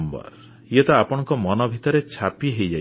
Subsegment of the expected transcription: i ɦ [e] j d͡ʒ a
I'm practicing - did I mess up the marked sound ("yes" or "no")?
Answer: no